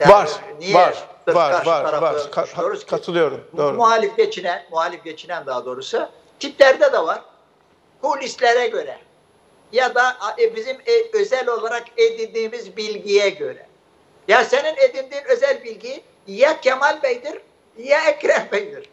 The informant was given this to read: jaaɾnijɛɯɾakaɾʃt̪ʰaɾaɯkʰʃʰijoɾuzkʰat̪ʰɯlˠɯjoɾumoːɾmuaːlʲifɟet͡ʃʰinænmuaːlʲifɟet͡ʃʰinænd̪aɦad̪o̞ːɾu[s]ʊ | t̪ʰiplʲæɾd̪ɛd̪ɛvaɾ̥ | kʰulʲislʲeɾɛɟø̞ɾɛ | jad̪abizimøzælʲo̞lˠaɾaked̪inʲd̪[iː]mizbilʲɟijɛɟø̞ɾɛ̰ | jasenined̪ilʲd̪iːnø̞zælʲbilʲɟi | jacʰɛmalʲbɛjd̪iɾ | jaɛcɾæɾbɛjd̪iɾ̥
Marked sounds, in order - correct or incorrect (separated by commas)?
correct, correct